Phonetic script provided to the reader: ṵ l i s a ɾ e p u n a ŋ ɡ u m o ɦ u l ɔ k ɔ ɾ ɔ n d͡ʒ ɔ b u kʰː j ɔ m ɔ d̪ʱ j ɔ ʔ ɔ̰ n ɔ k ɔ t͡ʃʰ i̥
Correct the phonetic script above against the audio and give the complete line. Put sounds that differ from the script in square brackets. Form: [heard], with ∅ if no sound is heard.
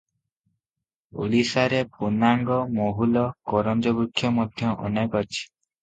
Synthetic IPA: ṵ l i s a ɾ e p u n a ŋ ɡ [ɔ] m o ɦ u l ɔ k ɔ ɾ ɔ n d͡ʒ ɔ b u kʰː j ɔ m ɔ d̪ʱ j ɔ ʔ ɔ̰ n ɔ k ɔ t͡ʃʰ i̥